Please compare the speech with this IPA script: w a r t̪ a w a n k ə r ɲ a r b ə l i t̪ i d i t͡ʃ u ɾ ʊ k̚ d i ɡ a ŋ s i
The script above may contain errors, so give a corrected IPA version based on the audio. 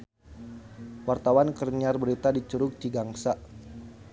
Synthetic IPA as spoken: w a r t̪ a w a n k ə r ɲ a r b ə ɾ i t̪ a d i t͡ʃ u ɾ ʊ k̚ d i ɡ a ŋ s a